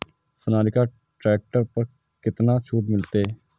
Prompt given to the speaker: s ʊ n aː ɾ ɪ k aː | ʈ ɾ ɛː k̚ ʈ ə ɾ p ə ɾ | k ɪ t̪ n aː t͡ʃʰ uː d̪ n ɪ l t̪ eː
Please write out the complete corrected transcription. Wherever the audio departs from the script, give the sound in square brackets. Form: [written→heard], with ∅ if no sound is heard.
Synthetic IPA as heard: s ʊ n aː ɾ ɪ k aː | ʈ ɾ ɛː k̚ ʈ ə ɾ p ə ɾ | k ɪ t̪ n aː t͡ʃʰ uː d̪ [n→m] ɪ l t̪ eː